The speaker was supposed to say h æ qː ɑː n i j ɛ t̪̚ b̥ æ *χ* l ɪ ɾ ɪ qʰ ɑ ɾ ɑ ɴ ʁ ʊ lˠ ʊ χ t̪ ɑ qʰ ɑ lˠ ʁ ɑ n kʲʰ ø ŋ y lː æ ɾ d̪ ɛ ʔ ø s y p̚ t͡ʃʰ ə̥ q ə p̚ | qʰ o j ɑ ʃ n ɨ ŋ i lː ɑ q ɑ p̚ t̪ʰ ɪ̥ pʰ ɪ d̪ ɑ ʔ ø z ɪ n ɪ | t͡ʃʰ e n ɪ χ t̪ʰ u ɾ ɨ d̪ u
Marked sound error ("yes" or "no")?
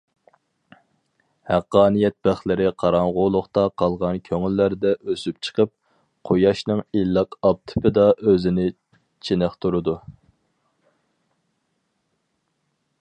no